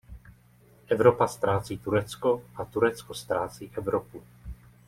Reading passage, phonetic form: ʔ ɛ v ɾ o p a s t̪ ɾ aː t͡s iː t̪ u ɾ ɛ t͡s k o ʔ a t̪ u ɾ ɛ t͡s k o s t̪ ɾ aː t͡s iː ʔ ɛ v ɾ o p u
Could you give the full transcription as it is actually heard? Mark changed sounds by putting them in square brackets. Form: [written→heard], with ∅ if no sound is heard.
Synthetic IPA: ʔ ɛ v ɾ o p a s t̪ ɾ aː t͡s iː t̪ u ɾ ɛ t͡s k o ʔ a t̪ u ɾ ɛ t͡s k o s t̪ ɾ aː t͡s iː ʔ ɛ v ɾ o p u